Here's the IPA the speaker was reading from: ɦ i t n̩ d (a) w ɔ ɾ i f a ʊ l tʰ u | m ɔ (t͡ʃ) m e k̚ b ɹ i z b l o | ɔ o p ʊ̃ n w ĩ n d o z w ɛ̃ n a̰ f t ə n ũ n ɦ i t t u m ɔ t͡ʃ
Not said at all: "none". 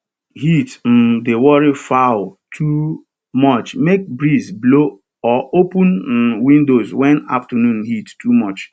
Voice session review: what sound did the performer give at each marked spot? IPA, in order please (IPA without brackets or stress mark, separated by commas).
e, t͡ʃ